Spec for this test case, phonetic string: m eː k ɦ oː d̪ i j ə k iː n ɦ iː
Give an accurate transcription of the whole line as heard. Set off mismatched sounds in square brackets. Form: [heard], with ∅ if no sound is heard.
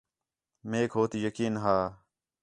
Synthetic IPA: m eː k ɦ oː [t̪] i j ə k iː n ɦ [aː]